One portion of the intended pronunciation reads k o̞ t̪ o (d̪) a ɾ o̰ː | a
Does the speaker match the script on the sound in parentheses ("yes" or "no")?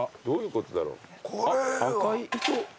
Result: yes